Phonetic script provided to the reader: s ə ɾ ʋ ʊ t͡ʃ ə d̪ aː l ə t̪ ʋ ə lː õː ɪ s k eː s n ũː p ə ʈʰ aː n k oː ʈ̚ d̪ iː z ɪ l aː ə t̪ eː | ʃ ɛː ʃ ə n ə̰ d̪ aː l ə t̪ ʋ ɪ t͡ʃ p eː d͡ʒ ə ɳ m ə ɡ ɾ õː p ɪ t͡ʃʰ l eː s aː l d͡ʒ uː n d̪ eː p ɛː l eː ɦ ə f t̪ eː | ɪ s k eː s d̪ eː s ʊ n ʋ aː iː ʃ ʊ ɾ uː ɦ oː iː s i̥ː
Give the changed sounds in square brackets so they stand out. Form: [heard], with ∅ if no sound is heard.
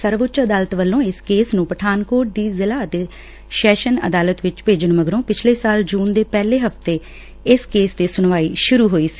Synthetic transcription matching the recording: s ə ɾ ʋ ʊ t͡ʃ ə d̪ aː l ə t̪ ʋ ə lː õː ɪ s k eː s n ũː p ə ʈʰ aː n k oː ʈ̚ d̪ iː z ɪ l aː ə t̪ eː | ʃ ɛː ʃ ə n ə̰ d̪ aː l ə t̪ ʋ ɪ t͡ʃ p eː d͡ʒ ə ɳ m ə ɡ ɾ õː p ɪ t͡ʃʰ l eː s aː l d͡ʒ uː n d̪ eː p ɛː l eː ɦ ə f t̪ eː | ɪ s k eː s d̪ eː s ʊ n ʋ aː iː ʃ ʊ ɾ uː ɦ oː iː s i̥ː